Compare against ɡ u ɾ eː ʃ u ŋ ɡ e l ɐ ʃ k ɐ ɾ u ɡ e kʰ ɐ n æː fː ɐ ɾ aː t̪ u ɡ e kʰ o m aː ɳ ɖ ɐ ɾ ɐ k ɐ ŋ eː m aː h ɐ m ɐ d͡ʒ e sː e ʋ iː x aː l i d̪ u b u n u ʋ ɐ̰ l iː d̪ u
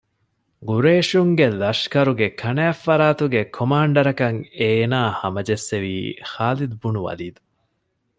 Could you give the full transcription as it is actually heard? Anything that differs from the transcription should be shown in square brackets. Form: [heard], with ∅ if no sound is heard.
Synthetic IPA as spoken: ɡ u ɾ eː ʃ u ŋ ɡ e l ɐ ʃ k ɐ ɾ u ɡ e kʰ ɐ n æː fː ɐ ɾ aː t̪ u ɡ e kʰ o m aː ɳ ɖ ɐ ɾ ɐ k ɐ ŋ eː [n] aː h ɐ m ɐ d͡ʒ e sː e ʋ iː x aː l i d̪ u b u n u ʋ ɐ̰ l iː d̪ u